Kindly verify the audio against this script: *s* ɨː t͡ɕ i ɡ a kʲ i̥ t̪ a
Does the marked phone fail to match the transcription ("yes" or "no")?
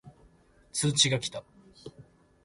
yes